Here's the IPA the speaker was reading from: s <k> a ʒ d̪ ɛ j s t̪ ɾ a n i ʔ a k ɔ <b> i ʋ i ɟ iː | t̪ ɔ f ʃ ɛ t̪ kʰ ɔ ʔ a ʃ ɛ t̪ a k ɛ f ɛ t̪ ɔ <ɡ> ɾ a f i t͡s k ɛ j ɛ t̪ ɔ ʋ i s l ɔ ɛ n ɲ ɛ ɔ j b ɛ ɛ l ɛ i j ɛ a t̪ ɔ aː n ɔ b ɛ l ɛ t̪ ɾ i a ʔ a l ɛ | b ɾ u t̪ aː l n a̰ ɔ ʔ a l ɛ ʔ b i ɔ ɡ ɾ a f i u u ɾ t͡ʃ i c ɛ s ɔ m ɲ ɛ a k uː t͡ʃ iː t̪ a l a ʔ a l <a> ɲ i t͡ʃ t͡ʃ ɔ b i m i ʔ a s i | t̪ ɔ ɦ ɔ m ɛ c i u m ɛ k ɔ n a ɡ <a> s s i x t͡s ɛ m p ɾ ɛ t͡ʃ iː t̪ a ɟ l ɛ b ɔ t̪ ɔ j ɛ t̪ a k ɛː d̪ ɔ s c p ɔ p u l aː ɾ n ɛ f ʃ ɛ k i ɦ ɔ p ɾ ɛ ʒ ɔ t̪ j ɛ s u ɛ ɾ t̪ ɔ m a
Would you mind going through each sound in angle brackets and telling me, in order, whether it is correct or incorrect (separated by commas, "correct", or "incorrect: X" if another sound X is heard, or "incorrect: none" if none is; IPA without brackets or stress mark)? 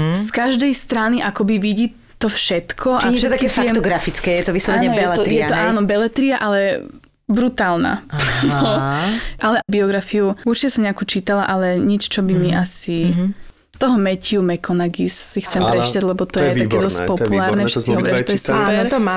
correct, correct, correct, incorrect: ɛ, incorrect: i